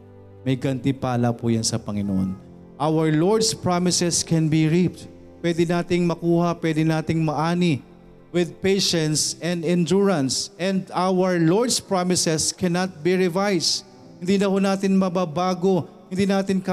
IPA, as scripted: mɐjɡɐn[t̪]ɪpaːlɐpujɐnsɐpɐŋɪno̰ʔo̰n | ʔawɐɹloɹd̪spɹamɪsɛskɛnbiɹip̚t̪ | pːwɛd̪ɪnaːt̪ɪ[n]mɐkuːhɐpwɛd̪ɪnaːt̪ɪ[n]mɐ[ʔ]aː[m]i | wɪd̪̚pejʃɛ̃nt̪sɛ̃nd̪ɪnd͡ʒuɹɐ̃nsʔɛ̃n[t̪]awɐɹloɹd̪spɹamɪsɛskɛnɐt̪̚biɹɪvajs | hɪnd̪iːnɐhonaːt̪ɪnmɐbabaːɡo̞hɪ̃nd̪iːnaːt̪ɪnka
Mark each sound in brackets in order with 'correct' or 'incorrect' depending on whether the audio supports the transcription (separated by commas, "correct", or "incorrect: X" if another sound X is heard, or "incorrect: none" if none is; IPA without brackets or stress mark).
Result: correct, incorrect: ŋ, incorrect: ŋ, correct, incorrect: n, incorrect: d̪